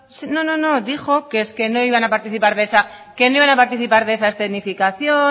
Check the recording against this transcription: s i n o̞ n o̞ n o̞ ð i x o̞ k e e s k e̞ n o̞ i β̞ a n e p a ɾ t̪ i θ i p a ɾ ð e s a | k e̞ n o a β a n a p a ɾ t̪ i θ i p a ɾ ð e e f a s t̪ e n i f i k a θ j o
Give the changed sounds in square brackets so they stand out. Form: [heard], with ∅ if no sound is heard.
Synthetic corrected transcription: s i n o̞ n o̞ n o̞ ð i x o̞ k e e s k e̞ n o̞ i β̞ a n [a] p a ɾ t̪ i θ i p a ɾ ð e s a | k e̞ n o [i] β a n a p a ɾ t̪ i θ i p a ɾ ð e e [s] a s t̪ e n i f i k a θ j o